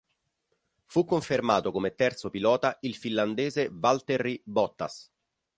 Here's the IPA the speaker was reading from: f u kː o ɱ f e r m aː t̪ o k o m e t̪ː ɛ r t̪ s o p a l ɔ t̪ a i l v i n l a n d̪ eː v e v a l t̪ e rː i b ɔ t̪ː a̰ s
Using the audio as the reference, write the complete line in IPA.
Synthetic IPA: f u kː o ɱ f e r m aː t̪ o k o m e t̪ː ɛ r t̪ s o p i l ɔː t̪ a i l f i n l a n d̪ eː z e v a l t̪ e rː i b ɔ t̪ː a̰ s